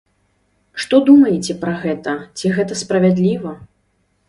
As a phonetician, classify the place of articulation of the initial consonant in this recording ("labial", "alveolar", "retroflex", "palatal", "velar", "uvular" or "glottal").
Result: retroflex